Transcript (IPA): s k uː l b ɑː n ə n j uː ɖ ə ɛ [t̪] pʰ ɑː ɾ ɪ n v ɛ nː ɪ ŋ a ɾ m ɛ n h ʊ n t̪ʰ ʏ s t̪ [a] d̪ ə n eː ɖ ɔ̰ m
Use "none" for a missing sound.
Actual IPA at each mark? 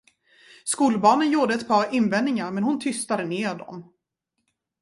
t̪, a

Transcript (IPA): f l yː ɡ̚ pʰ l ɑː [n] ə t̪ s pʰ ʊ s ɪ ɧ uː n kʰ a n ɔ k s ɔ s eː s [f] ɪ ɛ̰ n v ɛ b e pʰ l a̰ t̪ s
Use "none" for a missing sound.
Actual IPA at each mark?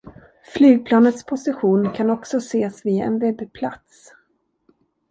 n, v

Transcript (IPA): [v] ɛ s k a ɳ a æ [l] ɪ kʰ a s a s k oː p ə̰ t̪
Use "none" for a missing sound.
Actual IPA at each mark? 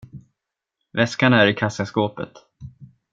v, ɾ

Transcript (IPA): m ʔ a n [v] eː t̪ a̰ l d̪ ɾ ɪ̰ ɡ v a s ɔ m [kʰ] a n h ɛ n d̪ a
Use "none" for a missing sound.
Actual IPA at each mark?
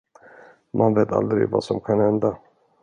v, kʰ

